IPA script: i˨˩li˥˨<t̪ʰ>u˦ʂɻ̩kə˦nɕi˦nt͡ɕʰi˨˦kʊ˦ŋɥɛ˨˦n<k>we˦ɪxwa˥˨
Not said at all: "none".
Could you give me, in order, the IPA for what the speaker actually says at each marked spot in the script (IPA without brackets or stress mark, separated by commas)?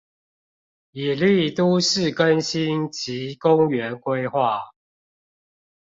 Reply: t̪, k